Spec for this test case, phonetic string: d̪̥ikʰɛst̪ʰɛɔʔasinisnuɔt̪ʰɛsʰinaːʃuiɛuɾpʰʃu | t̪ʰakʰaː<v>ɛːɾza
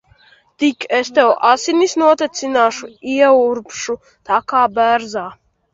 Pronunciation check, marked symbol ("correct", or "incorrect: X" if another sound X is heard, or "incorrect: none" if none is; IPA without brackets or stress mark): incorrect: b